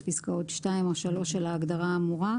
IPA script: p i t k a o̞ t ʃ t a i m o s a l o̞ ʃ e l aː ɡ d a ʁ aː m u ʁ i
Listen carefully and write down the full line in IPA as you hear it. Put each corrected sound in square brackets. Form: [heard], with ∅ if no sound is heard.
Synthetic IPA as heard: p i [s] k a o̞ t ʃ t a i m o [ʃ] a l o̞ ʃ e l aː ɡ d a ʁ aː m u ʁ [a]